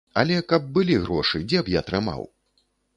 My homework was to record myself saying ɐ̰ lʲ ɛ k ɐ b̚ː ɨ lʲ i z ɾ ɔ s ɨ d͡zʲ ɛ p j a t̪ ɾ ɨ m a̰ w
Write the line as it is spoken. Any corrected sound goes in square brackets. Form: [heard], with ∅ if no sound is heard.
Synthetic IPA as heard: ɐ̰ lʲ ɛ k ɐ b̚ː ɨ lʲ i [ɣ] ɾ ɔ [ʂ] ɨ d͡zʲ ɛ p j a t̪ ɾ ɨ m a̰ w